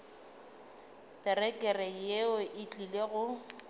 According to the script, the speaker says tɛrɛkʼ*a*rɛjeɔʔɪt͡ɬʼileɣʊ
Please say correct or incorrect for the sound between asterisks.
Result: incorrect